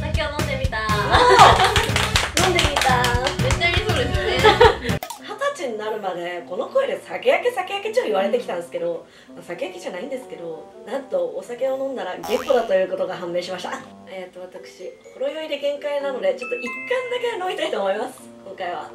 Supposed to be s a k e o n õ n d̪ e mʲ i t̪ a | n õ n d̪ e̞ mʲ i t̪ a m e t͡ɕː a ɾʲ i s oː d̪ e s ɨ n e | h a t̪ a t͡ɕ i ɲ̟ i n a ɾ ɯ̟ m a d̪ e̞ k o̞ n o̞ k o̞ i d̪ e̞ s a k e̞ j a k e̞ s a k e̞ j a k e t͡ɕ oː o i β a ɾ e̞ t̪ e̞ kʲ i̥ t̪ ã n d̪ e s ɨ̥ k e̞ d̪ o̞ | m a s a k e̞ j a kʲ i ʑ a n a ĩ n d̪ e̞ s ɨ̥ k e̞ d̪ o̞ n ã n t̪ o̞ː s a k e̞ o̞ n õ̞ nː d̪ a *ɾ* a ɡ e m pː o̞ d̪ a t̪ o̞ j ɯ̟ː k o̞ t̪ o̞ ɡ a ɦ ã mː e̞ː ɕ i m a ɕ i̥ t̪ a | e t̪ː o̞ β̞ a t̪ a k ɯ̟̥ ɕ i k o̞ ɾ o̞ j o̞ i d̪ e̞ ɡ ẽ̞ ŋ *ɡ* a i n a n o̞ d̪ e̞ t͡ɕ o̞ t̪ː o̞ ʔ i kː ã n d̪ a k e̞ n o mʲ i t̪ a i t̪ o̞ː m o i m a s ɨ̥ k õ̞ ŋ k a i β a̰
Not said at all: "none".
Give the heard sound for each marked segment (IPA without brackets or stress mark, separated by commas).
ɾ, k